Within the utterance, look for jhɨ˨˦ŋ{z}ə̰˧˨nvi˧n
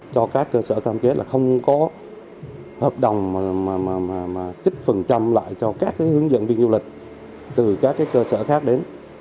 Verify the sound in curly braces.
correct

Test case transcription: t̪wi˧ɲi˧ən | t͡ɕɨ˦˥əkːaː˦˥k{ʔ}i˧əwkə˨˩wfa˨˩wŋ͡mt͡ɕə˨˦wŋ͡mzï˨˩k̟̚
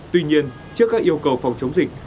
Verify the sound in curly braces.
correct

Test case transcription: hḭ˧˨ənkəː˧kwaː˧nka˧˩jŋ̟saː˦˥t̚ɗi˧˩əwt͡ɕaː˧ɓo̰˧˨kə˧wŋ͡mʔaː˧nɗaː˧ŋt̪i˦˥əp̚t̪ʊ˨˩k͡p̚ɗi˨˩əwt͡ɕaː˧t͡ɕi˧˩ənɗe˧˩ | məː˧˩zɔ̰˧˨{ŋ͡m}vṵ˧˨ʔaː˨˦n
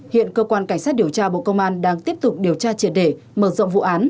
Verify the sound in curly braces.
correct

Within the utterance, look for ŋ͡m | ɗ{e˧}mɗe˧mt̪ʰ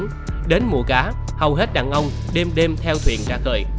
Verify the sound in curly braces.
correct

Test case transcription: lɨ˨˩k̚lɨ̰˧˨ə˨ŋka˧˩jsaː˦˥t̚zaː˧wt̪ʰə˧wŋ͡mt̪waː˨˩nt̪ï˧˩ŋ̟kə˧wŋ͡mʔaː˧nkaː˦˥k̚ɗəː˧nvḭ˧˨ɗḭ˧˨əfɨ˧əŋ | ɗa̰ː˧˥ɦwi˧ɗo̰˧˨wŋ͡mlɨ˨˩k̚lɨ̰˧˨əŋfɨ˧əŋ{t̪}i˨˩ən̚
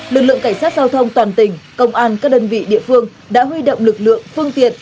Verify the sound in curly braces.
correct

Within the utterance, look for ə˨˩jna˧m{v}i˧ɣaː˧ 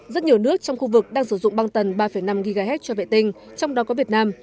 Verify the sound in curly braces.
incorrect: ɣ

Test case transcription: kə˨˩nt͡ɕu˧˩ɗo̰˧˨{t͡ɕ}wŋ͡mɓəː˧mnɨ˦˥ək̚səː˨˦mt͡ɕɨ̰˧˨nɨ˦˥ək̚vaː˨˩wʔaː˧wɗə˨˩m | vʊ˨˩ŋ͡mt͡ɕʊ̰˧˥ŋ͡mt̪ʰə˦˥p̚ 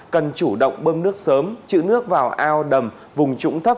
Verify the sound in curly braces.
incorrect: none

